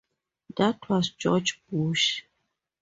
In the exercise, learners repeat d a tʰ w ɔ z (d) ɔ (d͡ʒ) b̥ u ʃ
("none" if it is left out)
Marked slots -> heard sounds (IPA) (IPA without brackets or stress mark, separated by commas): d͡ʒ, d͡ʒ